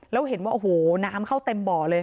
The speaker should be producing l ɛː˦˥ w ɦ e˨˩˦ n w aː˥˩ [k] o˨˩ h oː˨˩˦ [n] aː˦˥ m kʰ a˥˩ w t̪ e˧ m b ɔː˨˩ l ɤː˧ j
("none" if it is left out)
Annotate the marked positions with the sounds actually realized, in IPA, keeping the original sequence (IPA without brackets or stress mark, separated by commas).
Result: ʔ, n